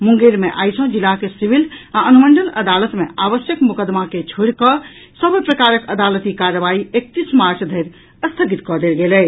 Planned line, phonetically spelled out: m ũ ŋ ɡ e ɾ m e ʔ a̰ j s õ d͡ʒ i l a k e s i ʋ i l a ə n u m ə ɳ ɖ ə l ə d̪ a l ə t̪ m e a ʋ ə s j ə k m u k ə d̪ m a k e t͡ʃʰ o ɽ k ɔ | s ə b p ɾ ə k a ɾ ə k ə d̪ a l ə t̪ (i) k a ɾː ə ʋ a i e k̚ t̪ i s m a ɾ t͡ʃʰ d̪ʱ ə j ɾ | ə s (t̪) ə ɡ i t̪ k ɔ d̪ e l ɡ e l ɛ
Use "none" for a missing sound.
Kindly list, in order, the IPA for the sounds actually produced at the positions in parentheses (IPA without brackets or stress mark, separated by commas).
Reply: i, t̪ʰ